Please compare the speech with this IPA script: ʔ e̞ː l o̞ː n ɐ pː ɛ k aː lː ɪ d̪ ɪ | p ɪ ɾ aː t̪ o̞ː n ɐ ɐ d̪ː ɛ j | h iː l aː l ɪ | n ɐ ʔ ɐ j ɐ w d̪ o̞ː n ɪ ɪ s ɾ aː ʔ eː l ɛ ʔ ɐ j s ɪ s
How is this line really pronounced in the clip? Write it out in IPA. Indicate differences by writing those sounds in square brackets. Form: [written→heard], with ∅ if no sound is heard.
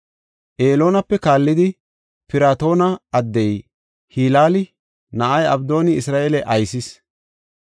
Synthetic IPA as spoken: ʔ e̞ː l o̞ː n ɐ pː ɛ k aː lː ɪ d̪ ɪ | p ɪ ɾ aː t̪ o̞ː n ɐ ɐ d̪ː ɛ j | h iː l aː l ɪ | n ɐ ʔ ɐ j ɐ [w→b] d̪ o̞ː n ɪ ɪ s ɾ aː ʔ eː l ɛ ʔ ɐ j s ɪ s